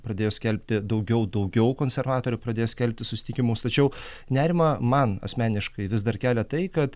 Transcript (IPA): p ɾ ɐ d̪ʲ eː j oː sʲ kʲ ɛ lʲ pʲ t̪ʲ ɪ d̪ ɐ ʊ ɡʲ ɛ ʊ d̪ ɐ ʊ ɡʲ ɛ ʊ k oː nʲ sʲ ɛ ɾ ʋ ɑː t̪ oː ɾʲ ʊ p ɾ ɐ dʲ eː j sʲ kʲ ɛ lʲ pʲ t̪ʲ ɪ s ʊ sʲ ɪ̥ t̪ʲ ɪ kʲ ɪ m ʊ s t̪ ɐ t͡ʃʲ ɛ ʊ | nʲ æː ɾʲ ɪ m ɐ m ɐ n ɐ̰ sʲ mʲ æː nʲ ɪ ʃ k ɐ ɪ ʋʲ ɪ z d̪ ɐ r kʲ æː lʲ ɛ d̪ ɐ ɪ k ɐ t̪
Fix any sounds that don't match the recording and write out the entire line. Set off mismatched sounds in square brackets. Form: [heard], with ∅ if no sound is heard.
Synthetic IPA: p ɾ ɐ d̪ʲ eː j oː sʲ kʲ ɛ lʲ pʲ t̪ʲ ɪ d̪ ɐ ʊ ɡʲ ɛ ʊ d̪ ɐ ʊ ɡʲ ɛ ʊ k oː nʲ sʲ ɛ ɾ ʋ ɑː t̪ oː ɾʲ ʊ p ɾ ɐ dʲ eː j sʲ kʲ ɛ lʲ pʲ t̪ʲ ɪ s ʊ sʲ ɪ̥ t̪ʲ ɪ kʲ ɪ m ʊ s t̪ ɐ t͡ʃʲ ɛ ʊ | nʲ æː ɾʲ ɪ m ɐ m ɐ n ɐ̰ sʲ mʲ æː nʲ ɪ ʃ k ɐ ɪ ʋʲ ɪ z d̪ ɐ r kʲ æː lʲ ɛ [t̪] ɐ ɪ k ɐ t̪

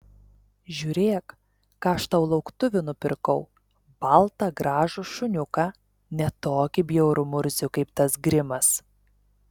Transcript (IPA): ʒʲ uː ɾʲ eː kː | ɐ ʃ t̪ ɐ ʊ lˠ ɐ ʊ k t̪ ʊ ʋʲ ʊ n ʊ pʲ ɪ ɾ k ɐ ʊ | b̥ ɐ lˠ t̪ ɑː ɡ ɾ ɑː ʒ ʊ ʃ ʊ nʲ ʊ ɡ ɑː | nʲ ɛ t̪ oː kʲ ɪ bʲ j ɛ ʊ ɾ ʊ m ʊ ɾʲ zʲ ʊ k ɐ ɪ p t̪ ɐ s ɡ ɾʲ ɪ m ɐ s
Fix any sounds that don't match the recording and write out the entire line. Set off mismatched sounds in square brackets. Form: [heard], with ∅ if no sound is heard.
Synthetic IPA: ʒʲ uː ɾʲ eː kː | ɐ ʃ t̪ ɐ ʊ lˠ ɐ ʊ k t̪ ʊ ʋʲ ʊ n ʊ pʲ ɪ ɾ k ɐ ʊ | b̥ ɐ lˠ t̪ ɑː ɡ ɾ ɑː ʒ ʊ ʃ ʊ nʲ ʊ [k] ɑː | nʲ ɛ t̪ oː kʲ ɪ bʲ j ɛ ʊ ɾ ʊ m ʊ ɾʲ zʲ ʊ k ɐ ɪ p t̪ ɐ s ɡ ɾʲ ɪ m ɐ s

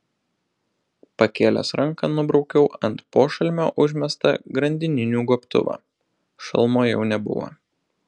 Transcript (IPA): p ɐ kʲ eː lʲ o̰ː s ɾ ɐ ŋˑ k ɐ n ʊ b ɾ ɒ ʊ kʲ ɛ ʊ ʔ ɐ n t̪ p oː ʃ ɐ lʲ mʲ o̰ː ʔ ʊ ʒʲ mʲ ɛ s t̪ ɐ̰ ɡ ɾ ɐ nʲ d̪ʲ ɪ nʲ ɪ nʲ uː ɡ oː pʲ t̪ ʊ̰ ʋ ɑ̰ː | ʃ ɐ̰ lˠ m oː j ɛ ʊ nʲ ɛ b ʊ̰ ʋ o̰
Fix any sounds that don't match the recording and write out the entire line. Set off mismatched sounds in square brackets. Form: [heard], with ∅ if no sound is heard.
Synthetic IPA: p ɐ kʲ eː lʲ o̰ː s ɾ ɐ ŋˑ k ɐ n ʊ b ɾ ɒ ʊ kʲ ɛ ʊ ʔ ɐ n t̪ p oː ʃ ɐ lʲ mʲ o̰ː ʔ ʊ ʒʲ mʲ ɛ s t̪ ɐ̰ ɡ ɾ ɐ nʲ d̪ʲ ɪ nʲ ɪ nʲ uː ɡ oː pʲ t̪ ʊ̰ ʋ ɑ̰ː | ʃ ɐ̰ lˠ m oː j ɛ ʊ nʲ ɛ b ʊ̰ ʋ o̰

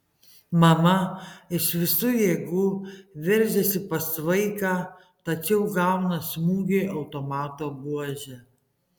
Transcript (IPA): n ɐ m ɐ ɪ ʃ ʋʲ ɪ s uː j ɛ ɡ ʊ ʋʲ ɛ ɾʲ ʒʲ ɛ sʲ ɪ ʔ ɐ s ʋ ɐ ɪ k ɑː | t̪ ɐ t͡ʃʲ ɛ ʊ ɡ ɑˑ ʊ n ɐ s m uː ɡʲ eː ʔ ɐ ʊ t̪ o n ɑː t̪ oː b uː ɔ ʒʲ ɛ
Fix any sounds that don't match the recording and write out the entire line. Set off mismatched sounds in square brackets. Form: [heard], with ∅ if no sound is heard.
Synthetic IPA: [m] ɐ m ɐ ɪ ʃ ʋʲ ɪ s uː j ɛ ɡ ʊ ʋʲ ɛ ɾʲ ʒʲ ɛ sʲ ɪ [p] ɐ s ʋ ɐ ɪ k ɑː | t̪ ɐ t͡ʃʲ ɛ ʊ ɡ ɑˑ ʊ n ɐ s m uː ɡʲ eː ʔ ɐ ʊ t̪ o [m] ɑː t̪ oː b [u] ɔ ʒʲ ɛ

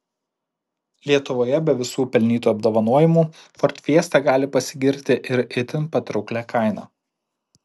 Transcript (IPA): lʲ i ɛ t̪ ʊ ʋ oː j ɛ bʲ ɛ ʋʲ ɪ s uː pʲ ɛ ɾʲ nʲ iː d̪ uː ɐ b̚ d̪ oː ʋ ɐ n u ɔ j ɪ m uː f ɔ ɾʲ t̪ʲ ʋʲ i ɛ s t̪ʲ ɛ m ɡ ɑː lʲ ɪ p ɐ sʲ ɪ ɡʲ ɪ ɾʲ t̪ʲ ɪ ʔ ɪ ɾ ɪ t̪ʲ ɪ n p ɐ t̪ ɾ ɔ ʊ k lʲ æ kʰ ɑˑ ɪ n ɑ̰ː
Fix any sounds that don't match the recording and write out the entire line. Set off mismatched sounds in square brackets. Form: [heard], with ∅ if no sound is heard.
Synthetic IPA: lʲ i ɛ t̪ ʊ ʋ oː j ɛ bʲ ɛ ʋʲ ɪ s uː pʲ ɛ [lʲ] nʲ iː [t̪] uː ɐ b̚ d̪ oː ʋ ɐ n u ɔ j ɪ m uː f ɔ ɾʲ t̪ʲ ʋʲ i ɛ s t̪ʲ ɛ [∅] ɡ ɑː lʲ ɪ p ɐ sʲ ɪ ɡʲ ɪ ɾʲ t̪ʲ ɪ ʔ ɪ ɾ ɪ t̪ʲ ɪ n p ɐ t̪ ɾ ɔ ʊ k lʲ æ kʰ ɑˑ ɪ n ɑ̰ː

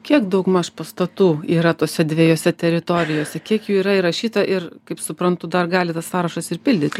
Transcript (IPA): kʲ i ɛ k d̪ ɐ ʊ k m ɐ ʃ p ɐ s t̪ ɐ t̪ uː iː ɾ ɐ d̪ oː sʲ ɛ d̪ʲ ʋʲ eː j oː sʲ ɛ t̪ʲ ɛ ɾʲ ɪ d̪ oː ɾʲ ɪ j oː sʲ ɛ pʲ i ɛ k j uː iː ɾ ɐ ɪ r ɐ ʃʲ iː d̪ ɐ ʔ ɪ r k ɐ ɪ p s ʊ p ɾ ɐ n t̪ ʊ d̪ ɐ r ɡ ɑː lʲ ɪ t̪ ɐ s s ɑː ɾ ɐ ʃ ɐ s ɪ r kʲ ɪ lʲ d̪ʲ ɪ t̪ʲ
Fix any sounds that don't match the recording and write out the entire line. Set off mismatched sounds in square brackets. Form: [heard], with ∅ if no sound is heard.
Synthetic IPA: kʲ i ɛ k d̪ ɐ ʊ k m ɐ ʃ p ɐ s t̪ ɐ t̪ uː iː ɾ ɐ [t̪] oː sʲ ɛ d̪ʲ ʋʲ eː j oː sʲ ɛ t̪ʲ ɛ ɾʲ ɪ [t̪] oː ɾʲ ɪ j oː sʲ ɛ [kʲ] i ɛ k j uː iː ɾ ɐ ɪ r ɐ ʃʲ iː [t̪] ɐ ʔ ɪ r k ɐ ɪ p s ʊ p ɾ ɐ n t̪ ʊ d̪ ɐ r ɡ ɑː lʲ ɪ t̪ ɐ s s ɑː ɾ ɐ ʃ ɐ s ɪ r [pʲ] ɪ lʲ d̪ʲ ɪ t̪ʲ

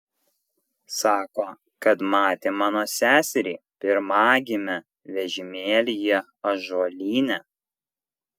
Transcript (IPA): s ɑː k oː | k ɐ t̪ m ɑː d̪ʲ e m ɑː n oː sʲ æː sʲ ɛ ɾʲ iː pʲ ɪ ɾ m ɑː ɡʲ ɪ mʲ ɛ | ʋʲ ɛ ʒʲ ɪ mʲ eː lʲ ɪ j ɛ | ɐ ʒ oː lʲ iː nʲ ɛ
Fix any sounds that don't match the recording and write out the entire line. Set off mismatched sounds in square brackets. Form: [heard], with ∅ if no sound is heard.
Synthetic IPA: s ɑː k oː | k ɐ t̪ m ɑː [t̪ʲ] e m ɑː n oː sʲ æː sʲ ɛ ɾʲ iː pʲ ɪ ɾ m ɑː ɡʲ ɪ mʲ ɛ | ʋʲ ɛ ʒʲ ɪ mʲ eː lʲ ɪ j ɛ | ɐ ʒ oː lʲ iː nʲ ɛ

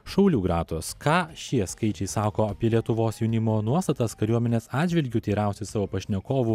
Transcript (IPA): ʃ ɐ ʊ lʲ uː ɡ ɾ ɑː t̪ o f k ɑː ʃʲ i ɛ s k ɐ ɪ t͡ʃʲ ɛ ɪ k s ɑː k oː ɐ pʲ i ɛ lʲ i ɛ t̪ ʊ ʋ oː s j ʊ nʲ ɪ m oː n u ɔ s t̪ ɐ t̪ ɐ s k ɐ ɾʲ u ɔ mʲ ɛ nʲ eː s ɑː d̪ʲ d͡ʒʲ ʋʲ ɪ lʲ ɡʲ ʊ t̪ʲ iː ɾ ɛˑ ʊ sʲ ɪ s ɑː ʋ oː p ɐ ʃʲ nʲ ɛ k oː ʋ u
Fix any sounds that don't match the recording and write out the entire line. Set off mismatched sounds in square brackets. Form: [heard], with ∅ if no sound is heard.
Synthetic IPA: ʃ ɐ ʊ lʲ uː ɡ ɾ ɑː t̪ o [s] k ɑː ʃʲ i ɛ s k ɐ ɪ t͡ʃʲ ɛ ɪ [∅] s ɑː k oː ɐ pʲ i ɛ lʲ i ɛ t̪ ʊ ʋ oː s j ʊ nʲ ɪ m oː n u ɔ s t̪ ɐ t̪ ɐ s k ɐ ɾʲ u ɔ mʲ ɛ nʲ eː s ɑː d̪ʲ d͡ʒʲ ʋʲ ɪ lʲ ɡʲ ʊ t̪ʲ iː ɾ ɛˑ ʊ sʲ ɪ s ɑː ʋ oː p ɐ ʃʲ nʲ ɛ k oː ʋ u

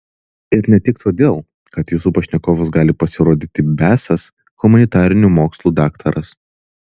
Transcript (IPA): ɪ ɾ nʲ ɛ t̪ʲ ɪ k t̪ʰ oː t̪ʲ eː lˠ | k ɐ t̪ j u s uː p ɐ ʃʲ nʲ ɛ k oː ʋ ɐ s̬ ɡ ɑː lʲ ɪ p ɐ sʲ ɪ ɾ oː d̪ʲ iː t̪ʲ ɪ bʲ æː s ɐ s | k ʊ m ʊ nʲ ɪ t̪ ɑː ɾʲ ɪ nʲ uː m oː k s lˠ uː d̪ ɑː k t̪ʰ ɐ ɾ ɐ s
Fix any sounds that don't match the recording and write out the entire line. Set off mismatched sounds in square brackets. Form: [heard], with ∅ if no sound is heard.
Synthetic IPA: ɪ ɾ nʲ ɛ t̪ʲ ɪ k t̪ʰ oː [d̪ʲ] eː lˠ | k ɐ t̪ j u s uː p ɐ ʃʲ nʲ ɛ k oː ʋ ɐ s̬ ɡ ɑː lʲ ɪ p ɐ sʲ ɪ ɾ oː d̪ʲ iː t̪ʲ ɪ bʲ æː s ɐ s | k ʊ m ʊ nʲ ɪ t̪ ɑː ɾʲ ɪ nʲ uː m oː k s lˠ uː d̪ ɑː k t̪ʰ ɐ ɾ ɐ s

